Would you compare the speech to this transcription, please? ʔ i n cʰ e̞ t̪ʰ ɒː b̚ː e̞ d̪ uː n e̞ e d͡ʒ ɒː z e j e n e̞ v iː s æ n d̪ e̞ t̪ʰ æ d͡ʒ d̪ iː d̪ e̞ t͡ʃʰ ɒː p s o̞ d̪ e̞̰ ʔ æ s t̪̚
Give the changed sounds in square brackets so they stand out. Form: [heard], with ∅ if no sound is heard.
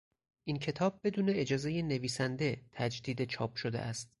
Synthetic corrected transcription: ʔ i n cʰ e̞ t̪ʰ ɒː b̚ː e̞ d̪ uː n e̞ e d͡ʒ ɒː z e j e n e̞ v iː s æ n d̪ e̞ t̪ʰ æ d͡ʒ d̪ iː d̪ e̞ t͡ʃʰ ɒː p [ʃ] o̞ d̪ e̞̰ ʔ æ s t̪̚